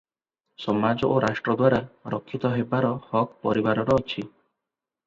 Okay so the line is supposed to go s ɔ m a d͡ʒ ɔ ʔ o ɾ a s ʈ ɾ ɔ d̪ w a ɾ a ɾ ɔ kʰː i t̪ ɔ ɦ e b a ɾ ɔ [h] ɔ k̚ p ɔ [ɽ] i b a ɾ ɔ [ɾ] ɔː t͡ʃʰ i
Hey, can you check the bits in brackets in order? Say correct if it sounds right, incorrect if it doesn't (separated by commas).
correct, incorrect, correct